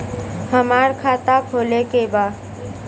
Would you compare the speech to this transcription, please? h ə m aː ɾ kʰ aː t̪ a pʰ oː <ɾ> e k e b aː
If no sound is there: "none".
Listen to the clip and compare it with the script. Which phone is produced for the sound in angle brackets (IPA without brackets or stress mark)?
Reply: l